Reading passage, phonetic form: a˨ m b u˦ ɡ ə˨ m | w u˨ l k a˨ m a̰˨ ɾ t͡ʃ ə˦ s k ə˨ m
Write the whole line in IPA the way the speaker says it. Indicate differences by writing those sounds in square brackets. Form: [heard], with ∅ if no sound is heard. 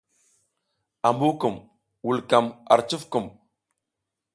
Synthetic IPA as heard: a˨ m b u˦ [k] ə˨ m | w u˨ l k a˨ m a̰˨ ɾ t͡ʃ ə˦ [f] k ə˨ m